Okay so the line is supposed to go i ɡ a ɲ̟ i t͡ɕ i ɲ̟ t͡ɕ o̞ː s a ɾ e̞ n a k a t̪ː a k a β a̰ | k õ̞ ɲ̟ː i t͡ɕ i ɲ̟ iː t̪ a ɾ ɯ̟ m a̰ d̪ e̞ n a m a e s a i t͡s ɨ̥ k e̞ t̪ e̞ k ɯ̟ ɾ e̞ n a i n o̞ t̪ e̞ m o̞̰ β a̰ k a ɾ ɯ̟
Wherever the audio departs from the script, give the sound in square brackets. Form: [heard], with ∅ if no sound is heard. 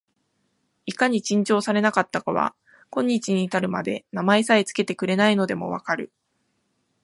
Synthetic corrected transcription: i [k] a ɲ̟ i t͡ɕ [ĩ] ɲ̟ t͡ɕ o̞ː s a ɾ e̞ n a k a t̪ː a k a β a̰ | k õ̞ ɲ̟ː i t͡ɕ i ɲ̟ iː t̪ a ɾ ɯ̟ m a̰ d̪ e̞ n a m a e s a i t͡s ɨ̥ k e̞ t̪ e̞ k ɯ̟ ɾ e̞ n a i n o̞ [d̪] e̞ m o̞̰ β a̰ k a ɾ ɯ̟